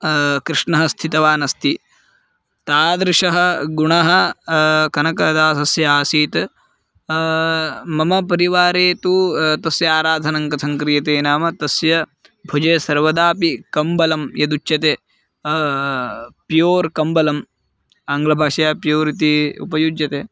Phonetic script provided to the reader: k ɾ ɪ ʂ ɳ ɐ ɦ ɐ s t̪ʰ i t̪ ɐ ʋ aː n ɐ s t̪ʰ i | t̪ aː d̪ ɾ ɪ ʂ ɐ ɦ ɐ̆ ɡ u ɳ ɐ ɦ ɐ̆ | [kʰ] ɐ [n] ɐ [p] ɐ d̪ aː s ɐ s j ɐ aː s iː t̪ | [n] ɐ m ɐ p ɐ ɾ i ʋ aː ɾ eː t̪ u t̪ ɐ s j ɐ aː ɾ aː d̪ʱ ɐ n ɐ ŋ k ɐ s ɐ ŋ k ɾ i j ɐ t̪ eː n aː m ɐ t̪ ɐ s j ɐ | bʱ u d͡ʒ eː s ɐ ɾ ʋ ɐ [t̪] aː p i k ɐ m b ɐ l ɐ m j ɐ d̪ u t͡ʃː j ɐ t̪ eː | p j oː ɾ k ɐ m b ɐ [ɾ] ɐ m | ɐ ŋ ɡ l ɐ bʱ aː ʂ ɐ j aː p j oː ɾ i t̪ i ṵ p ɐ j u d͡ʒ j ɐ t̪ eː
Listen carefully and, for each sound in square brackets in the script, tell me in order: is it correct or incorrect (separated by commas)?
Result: incorrect, correct, incorrect, incorrect, incorrect, incorrect